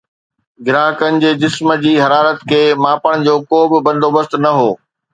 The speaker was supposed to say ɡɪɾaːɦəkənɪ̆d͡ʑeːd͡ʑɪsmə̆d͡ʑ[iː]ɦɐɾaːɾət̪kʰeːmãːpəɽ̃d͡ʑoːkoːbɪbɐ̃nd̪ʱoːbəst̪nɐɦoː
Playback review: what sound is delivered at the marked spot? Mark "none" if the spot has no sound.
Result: iː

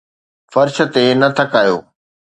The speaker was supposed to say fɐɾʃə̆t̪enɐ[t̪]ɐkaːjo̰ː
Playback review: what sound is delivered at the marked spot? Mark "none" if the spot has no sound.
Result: t̪ʰ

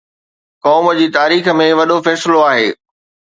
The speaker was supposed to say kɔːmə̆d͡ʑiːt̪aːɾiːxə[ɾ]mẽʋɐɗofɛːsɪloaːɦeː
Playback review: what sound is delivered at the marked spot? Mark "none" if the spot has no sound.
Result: none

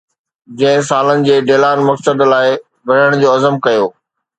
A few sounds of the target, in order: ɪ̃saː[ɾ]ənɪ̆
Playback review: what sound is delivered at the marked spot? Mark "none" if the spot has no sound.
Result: l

